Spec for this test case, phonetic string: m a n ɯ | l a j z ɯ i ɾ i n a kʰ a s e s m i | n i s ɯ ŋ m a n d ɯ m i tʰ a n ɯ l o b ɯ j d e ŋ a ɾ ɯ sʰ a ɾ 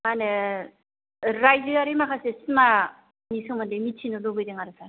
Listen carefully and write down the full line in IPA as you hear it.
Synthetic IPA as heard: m a n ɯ | ɾ a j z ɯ a ɾ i m a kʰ a s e s m a | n i s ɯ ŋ m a n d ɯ m i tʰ i n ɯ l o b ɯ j d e ŋ a ɾ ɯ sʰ a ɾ

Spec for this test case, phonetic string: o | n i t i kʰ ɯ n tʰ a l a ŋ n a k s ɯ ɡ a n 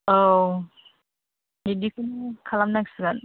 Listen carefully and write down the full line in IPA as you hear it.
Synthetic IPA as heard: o | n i d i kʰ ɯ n kʰ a l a m n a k s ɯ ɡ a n

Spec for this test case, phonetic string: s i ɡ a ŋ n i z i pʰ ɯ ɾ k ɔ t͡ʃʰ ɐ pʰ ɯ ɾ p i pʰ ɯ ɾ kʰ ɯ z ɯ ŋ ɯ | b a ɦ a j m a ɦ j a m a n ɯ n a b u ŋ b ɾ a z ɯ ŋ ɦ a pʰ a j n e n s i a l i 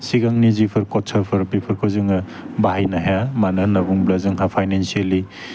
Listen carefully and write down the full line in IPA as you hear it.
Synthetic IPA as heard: s i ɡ a ŋ n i z i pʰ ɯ ɾ k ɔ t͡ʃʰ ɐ pʰ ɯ ɾ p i pʰ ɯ ɾ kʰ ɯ z ɯ ŋ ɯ | b a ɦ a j n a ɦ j a m a n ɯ n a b u ŋ b l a z ɯ ŋ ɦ a pʰ a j n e n s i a l i

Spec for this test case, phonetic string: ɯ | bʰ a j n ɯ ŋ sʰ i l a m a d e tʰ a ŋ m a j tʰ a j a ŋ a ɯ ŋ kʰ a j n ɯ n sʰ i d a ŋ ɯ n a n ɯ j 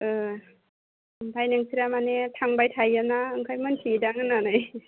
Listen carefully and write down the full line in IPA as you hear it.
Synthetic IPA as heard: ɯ | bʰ a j n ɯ ŋ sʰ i ɾ a m a n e tʰ a ŋ b a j tʰ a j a n a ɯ ŋ kʰ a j m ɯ n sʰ i d a ŋ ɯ n a n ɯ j

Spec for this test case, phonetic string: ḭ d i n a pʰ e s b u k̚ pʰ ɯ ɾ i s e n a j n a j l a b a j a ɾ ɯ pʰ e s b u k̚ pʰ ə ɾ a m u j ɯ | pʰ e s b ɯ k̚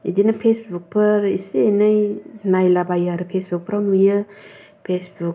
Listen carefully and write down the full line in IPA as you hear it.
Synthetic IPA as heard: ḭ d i n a pʰ e s b u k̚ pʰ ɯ ɾ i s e n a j n a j l a b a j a ɾ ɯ pʰ e s b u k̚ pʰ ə ɾ a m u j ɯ | pʰ e s b u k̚

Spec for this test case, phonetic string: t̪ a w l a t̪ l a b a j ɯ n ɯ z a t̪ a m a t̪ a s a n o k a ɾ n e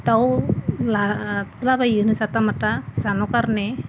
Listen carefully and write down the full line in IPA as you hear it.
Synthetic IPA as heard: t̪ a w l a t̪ l a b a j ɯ n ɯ s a t̪ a m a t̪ a s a n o k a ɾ n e

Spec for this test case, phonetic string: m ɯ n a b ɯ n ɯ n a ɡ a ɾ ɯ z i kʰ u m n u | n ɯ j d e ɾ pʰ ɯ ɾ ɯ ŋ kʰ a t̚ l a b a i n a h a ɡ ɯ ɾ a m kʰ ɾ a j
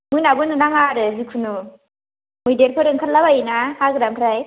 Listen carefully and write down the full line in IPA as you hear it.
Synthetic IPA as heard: m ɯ n a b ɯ n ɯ n a ŋ a ɾ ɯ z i kʰ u n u | m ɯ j d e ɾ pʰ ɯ ɾ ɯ ŋ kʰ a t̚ l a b a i n a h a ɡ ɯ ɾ a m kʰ ɾ a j

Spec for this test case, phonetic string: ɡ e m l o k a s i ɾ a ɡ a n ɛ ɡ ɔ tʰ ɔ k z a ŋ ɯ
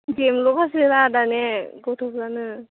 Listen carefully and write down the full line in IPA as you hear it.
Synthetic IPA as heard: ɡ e m l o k a s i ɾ a d a n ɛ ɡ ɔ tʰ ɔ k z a n ɯ

